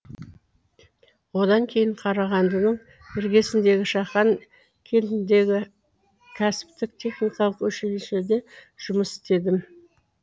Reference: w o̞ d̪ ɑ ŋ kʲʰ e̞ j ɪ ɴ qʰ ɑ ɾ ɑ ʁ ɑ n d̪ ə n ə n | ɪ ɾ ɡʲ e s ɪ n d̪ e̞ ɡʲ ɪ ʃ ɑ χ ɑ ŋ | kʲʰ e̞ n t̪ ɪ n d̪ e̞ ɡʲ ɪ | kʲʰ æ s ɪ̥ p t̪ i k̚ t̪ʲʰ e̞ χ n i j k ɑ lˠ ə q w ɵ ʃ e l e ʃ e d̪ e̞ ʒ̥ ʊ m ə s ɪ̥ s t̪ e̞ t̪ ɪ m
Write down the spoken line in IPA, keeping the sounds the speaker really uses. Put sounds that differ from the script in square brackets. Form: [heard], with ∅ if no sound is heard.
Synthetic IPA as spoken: w o̞ d̪ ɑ ŋ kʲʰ e̞ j ɪ ɴ qʰ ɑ ɾ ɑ ʁ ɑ n d̪ ə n ə [ɴ] | ɪ ɾ ɡʲ e s ɪ n d̪ e̞ ɡʲ ɪ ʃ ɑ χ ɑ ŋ | kʲʰ e̞ n t̪ ɪ n d̪ e̞ ɡʲ ɪ | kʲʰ æ s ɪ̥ p t̪ [ɪ] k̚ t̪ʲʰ e̞ χ n i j k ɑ lˠ ə q w ɵ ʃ e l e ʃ e d̪ e̞ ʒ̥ ʊ m ə s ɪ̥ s t̪ e̞ [d̪] ɪ m